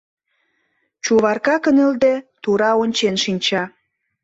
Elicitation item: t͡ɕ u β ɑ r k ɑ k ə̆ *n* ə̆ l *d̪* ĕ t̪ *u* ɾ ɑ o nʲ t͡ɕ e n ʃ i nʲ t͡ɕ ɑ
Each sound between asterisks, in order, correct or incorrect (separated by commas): correct, correct, correct